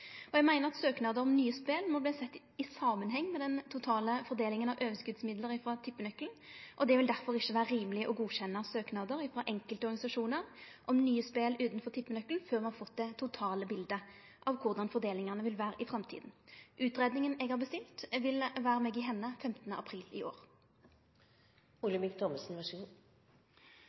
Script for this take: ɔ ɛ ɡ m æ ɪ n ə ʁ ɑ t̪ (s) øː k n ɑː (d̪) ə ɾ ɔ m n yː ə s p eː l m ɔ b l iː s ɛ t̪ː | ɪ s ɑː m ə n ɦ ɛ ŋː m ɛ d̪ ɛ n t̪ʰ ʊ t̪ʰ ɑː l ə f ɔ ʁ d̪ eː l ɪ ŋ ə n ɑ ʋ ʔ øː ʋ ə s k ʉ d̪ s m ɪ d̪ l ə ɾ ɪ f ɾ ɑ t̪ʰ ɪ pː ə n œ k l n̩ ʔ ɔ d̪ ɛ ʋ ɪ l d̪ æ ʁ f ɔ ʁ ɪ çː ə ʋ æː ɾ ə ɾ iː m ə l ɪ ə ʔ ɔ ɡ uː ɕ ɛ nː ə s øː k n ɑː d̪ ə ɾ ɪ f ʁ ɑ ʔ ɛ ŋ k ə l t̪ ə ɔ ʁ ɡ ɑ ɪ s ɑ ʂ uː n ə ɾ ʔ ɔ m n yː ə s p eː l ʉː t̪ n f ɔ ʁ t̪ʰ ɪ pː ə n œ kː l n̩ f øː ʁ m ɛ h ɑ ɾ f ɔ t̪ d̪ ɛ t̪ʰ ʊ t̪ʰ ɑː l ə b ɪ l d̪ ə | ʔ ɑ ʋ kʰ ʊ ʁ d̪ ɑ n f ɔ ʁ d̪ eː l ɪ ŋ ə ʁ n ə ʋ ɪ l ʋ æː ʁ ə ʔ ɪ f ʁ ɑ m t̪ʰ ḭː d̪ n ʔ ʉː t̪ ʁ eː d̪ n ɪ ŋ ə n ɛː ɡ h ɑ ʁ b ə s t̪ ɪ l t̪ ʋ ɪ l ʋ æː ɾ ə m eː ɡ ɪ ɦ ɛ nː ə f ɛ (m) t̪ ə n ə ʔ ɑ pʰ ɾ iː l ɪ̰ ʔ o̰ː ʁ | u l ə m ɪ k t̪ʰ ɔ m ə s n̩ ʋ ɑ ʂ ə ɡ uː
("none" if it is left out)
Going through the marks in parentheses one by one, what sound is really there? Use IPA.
s, d̪, m

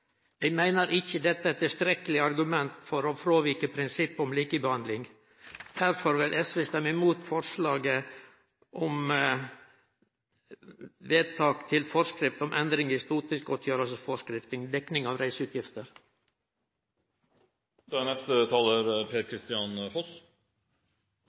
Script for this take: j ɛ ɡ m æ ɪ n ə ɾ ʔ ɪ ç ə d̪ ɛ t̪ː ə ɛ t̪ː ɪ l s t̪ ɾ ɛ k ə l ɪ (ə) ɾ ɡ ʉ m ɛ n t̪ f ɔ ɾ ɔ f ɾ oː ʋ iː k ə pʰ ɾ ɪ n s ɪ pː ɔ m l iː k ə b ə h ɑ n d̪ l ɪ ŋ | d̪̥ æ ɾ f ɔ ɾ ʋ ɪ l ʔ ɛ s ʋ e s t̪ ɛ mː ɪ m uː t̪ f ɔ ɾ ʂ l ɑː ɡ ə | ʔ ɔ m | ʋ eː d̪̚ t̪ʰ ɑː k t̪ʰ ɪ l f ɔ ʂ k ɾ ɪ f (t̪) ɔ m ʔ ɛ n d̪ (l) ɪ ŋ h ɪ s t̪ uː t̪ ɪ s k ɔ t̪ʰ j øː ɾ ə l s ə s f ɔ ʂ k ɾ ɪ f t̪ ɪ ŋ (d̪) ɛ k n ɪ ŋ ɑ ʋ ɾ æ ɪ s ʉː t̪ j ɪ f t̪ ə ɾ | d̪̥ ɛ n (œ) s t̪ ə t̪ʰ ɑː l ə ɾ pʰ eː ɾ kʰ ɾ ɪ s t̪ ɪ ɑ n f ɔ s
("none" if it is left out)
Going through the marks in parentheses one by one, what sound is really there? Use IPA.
ɑ, t̪, ɾ, d̪, ɛ

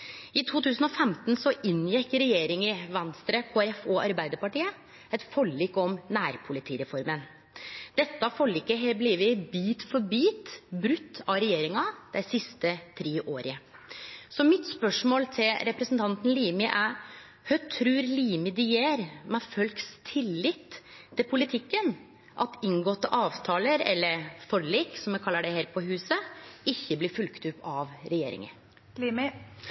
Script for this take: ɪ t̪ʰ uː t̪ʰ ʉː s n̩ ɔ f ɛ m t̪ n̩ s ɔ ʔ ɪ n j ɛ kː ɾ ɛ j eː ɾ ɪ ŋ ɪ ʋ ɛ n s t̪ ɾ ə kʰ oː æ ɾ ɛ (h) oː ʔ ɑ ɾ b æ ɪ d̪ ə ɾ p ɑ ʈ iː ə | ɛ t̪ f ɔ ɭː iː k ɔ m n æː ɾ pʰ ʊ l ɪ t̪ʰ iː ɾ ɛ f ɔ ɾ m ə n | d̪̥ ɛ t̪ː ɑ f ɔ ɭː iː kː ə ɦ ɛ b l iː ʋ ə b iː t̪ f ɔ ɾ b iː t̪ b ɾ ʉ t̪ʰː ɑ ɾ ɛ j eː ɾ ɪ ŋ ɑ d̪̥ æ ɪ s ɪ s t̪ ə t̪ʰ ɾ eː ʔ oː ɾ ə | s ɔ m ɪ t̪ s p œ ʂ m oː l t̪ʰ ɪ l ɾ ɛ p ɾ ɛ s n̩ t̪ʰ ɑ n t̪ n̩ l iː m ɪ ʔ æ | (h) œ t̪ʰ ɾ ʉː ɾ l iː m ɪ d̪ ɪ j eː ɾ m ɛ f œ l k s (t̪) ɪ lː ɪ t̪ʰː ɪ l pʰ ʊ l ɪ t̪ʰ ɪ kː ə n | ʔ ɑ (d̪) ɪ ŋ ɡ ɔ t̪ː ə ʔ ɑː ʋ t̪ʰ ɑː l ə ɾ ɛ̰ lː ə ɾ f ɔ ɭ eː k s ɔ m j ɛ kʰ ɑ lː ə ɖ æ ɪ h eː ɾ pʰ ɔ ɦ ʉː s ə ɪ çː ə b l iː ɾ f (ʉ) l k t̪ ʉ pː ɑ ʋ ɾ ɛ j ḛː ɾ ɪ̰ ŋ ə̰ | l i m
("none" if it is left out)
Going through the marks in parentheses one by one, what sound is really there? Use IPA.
f, h, t̪ʰ, t̪, ʉ

